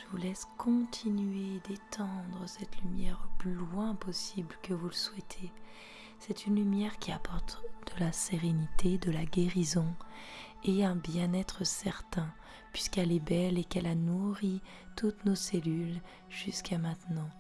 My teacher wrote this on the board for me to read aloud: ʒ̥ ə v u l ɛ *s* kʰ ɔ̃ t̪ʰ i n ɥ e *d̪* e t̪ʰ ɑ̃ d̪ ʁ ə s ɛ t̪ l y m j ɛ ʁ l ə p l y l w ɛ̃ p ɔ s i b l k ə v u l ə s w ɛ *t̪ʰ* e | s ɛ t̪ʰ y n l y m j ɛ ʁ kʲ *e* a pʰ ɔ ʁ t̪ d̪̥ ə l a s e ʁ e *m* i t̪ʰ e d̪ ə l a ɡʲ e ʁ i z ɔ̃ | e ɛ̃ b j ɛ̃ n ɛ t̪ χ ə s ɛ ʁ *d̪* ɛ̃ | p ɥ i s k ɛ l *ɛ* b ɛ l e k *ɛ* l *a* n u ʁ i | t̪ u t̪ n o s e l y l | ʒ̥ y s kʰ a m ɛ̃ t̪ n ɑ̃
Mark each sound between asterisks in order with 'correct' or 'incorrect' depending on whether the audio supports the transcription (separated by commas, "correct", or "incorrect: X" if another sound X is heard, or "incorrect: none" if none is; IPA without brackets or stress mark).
correct, correct, correct, incorrect: i, incorrect: n, incorrect: t̪, correct, correct, correct